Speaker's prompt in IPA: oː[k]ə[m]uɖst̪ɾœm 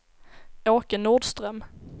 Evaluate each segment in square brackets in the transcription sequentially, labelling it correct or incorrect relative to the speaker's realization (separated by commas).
correct, incorrect